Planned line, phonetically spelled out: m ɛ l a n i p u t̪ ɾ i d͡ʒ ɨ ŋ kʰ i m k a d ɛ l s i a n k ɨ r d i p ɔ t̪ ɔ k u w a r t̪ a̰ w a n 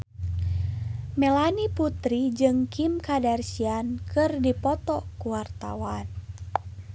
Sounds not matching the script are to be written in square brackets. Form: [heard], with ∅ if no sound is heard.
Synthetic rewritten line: m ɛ l a n i p u t̪ ɾ i d͡ʒ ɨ ŋ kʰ i m k a d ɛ [r] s i a n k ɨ r d i p ɔ t̪ ɔ k u w a r t̪ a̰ w a n